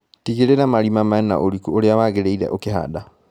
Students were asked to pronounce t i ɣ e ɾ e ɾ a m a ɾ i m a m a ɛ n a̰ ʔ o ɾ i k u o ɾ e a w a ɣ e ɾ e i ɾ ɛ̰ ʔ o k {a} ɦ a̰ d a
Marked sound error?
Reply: yes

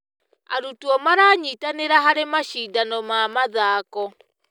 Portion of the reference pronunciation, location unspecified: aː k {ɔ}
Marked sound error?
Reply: no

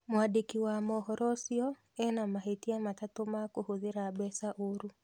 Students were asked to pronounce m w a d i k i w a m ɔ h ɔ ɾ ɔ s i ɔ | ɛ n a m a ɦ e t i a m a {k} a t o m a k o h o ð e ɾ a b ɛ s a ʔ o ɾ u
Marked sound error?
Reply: yes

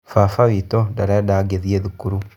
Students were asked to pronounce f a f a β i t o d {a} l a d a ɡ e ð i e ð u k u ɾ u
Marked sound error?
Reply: no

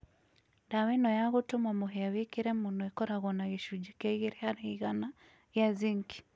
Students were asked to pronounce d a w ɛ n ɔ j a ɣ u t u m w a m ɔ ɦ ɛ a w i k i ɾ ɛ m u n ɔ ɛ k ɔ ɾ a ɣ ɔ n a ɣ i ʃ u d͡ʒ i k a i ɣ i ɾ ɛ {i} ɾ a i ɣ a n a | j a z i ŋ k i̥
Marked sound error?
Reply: yes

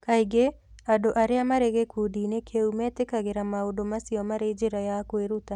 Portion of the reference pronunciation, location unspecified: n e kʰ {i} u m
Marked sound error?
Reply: yes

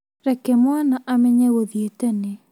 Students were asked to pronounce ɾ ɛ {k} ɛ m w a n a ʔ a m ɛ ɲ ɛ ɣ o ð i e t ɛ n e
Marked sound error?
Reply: no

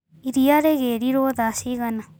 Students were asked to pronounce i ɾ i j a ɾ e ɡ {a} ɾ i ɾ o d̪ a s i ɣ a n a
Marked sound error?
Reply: yes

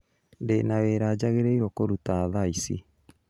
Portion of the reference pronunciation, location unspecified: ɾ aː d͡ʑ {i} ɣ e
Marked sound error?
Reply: yes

